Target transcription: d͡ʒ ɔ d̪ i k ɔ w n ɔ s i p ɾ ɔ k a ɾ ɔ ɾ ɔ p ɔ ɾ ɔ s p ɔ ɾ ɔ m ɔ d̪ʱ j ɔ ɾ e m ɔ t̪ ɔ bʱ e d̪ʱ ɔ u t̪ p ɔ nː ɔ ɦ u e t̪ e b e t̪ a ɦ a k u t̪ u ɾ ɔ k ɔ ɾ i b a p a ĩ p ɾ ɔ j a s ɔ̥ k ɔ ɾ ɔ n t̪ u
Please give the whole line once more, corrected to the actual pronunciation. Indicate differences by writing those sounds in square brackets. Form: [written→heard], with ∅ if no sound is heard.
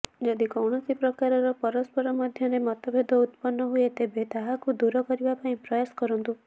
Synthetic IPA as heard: d͡ʒ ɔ d̪ i k ɔ w [n→ɳ] ɔ s i p ɾ ɔ k a ɾ ɔ ɾ ɔ p ɔ ɾ ɔ s p ɔ ɾ ɔ m ɔ d̪ʱ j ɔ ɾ e m ɔ t̪ ɔ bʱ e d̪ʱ ɔ u t̪ p ɔ nː ɔ ɦ u e t̪ e b e t̪ a ɦ a k u [t̪→d̪] u ɾ ɔ k ɔ ɾ i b a p a ĩ p ɾ ɔ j a s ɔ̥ k ɔ ɾ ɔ n t̪ u

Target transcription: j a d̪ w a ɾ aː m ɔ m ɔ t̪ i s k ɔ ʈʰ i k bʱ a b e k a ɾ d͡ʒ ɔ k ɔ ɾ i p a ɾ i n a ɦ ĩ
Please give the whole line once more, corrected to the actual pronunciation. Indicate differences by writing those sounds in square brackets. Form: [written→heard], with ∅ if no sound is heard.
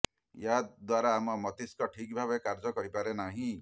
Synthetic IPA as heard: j a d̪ w a ɾ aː m ɔ m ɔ t̪ i s k ɔ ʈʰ i k bʱ a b e k a ɾ d͡ʒ ɔ k ɔ ɾ i p a ɾ [i→e] n a ɦ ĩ

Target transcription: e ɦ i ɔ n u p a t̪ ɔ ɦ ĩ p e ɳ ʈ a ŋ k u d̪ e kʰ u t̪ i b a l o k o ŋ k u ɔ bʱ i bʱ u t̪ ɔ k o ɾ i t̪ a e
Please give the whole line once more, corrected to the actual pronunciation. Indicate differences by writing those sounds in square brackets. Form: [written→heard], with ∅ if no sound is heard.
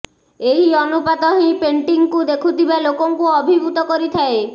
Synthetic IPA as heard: e ɦ i ɔ n u p a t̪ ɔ ɦ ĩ p e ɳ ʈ [a→i] ŋ k u d̪ e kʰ u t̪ i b a l o k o ŋ k u ɔ bʱ i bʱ u t̪ ɔ k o ɾ i [t̪→t̪ʰ] a e

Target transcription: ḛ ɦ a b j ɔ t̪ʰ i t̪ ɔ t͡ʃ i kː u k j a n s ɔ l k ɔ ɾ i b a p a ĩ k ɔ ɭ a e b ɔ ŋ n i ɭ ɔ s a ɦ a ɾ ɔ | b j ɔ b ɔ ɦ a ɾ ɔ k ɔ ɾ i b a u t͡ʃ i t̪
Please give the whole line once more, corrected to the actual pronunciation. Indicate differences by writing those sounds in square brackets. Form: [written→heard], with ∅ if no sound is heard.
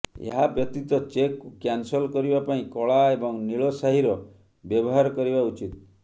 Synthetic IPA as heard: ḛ ɦ a b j ɔ [t̪ʰ→t̪] i t̪ ɔ t͡ʃ [i→e] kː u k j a n s ɔ l k ɔ ɾ i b a p a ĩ k ɔ ɭ a e b ɔ ŋ n i ɭ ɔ s a ɦ [a→i] ɾ ɔ | b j ɔ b ɔ ɦ a ɾ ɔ k ɔ ɾ i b a u t͡ʃ i t̪

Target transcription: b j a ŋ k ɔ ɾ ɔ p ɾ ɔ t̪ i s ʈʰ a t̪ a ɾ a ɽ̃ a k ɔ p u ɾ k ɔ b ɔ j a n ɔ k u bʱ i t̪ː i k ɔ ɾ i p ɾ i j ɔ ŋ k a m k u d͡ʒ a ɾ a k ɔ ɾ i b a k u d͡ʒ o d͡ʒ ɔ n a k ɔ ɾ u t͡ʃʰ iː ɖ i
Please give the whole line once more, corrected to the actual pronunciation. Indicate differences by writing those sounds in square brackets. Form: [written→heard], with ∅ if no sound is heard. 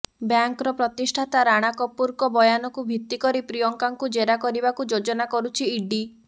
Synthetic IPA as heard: b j a ŋ k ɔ ɾ ɔ p ɾ ɔ t̪ i s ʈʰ a t̪ a ɾ a ɽ̃ a k ɔ p u ɾ k ɔ b ɔ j a n ɔ k u bʱ i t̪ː i k ɔ ɾ i p ɾ i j ɔ ŋ k a [m→ŋ] k u d͡ʒ [a→e] ɾ a k ɔ ɾ i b a k u d͡ʒ o d͡ʒ ɔ n a k ɔ ɾ u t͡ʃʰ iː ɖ i

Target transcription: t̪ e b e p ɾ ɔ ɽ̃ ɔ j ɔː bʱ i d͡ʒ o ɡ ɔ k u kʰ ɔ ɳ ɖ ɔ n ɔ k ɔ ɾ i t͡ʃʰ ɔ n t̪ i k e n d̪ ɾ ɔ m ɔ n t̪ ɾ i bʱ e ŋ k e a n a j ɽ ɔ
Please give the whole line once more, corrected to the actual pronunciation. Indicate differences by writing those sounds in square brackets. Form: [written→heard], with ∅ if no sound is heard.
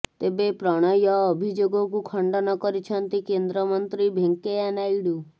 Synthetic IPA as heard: t̪ e b e p ɾ ɔ ɽ̃ ɔ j ɔː bʱ i d͡ʒ o ɡ ɔ k u kʰ ɔ ɳ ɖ ɔ n ɔ k ɔ ɾ i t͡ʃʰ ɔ n t̪ i k e n d̪ ɾ ɔ m ɔ n t̪ ɾ i bʱ e ŋ k e a n a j ɽ [ɔ→u]

